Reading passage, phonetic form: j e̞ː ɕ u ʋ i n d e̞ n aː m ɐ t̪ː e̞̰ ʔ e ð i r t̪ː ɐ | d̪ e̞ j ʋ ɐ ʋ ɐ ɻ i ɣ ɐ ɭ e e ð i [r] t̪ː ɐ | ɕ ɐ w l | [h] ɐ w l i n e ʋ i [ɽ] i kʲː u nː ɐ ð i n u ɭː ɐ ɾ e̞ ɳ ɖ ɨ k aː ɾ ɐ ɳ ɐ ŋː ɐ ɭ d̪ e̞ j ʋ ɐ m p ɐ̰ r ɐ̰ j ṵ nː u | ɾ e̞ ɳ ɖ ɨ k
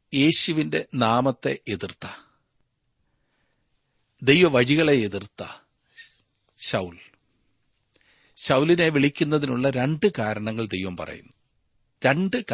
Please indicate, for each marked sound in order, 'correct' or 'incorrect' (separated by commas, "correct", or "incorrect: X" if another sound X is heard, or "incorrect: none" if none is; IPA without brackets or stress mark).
correct, incorrect: ɕ, incorrect: ɭ